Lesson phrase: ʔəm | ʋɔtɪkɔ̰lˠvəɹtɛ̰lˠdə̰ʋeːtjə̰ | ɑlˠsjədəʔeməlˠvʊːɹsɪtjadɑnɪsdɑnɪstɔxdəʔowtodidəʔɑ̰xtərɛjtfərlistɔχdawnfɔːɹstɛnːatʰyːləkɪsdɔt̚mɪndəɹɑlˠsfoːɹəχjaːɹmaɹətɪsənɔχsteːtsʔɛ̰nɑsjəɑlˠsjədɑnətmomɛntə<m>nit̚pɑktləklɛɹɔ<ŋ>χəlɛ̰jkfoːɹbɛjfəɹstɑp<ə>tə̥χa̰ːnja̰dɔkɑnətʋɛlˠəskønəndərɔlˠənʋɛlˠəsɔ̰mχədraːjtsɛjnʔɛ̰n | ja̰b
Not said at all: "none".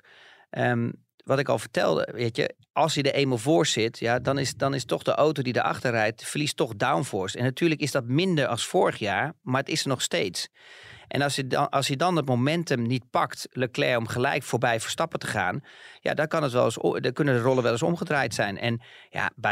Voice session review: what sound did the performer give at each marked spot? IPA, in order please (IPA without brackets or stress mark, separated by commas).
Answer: m, m, ə